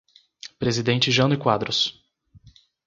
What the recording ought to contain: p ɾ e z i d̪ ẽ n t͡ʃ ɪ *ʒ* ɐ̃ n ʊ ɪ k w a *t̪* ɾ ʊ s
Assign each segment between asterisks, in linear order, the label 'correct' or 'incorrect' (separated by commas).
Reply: correct, incorrect